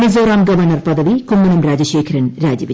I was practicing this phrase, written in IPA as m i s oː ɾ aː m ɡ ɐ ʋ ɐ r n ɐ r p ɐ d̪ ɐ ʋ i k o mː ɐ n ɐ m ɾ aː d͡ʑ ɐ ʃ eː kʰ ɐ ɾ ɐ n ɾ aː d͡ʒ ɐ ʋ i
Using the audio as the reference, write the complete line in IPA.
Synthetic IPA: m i z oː ɾ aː m ɡ ɐ ʋ ɐ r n ɐ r p ɐ d̪ ɐ ʋ i k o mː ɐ n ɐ m ɾ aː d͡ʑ ɐ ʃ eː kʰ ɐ ɾ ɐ n ɾ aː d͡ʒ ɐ ʋ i